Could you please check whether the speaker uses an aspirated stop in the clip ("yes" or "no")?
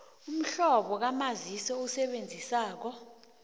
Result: no